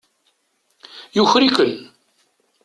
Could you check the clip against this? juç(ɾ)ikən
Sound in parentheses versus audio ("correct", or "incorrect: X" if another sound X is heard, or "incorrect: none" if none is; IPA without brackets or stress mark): correct